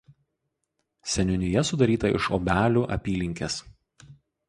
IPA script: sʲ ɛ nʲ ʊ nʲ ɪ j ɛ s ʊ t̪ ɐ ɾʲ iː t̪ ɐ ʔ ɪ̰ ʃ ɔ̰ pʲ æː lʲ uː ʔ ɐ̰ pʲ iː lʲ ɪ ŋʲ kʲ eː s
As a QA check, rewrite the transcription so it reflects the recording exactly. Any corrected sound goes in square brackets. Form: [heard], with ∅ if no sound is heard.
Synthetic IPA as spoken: sʲ ɛ nʲ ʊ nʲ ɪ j ɛ s ʊ [d̪] ɐ ɾʲ iː t̪ ɐ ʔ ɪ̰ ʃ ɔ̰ [bʲ] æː lʲ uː ʔ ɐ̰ pʲ iː lʲ ɪ ŋʲ kʲ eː s